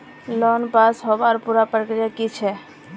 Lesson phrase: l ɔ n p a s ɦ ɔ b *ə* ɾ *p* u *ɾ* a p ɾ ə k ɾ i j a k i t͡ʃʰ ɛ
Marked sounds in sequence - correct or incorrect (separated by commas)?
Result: incorrect, correct, correct